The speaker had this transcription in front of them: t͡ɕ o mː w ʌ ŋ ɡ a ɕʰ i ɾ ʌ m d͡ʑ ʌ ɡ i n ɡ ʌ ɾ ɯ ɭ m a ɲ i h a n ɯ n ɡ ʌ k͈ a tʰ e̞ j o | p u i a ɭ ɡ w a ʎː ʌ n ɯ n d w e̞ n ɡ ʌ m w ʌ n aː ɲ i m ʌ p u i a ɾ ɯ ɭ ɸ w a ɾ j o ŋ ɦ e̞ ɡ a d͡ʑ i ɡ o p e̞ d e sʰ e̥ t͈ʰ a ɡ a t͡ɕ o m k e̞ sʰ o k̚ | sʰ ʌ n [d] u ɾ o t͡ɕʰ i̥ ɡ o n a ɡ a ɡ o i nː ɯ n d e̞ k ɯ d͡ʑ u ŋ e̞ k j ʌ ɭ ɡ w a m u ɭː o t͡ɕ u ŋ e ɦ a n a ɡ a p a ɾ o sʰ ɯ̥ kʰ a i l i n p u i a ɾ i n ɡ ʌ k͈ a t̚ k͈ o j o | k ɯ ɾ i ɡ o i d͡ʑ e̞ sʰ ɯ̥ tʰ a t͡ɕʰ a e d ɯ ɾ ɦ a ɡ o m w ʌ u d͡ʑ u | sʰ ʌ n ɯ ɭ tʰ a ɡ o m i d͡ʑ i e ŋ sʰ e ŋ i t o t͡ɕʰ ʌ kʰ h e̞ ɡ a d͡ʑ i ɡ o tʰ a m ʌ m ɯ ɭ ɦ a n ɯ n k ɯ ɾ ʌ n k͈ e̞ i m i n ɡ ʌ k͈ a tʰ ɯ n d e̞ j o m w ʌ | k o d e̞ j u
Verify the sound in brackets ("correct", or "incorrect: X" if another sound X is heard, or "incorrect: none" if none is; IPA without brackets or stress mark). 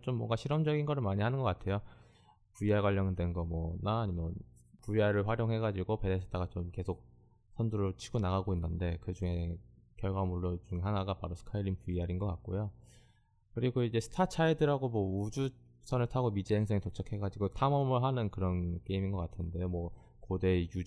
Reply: correct